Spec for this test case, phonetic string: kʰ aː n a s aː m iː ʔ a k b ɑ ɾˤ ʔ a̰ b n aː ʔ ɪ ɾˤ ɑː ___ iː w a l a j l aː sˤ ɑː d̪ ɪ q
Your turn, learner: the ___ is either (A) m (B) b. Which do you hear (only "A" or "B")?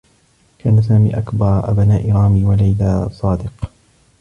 A